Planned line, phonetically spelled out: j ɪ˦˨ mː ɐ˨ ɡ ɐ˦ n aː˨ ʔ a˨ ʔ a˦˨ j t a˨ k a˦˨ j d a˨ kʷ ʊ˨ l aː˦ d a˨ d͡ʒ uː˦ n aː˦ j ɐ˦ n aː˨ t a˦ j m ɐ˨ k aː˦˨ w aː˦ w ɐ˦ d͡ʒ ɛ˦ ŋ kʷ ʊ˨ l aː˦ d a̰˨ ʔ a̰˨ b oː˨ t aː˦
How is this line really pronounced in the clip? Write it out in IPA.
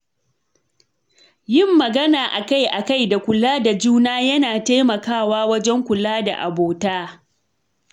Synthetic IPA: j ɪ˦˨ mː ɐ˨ ɡ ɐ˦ n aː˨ ʔ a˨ k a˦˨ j ʔ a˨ k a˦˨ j d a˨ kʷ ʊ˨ l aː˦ d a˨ d͡ʒ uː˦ n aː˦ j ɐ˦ n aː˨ t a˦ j m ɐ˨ k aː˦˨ w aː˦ w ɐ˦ d͡ʒ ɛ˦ ŋ kʷ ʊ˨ l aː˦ d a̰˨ ʔ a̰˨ b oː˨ t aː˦